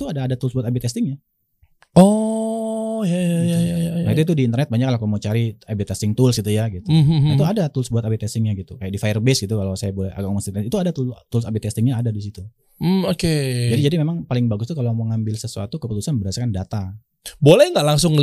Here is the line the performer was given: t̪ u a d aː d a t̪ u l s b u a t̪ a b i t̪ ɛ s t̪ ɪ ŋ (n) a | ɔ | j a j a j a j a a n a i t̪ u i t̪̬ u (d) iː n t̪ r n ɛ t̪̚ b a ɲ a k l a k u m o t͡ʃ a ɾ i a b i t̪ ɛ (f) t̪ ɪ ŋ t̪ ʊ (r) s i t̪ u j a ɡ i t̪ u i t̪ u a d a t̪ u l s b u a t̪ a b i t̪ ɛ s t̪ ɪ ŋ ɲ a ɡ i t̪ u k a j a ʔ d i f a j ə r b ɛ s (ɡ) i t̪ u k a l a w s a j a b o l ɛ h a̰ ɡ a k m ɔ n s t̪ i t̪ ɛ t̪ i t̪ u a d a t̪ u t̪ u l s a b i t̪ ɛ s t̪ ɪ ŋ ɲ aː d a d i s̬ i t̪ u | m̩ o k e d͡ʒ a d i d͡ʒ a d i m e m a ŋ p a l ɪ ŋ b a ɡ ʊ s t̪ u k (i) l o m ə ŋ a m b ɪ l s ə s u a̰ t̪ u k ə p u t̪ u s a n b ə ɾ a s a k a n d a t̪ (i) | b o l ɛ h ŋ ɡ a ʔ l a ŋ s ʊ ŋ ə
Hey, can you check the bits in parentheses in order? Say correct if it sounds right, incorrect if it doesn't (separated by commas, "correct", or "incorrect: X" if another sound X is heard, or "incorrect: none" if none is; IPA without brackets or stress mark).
incorrect: ɲ, correct, incorrect: s, incorrect: l, correct, incorrect: a, incorrect: a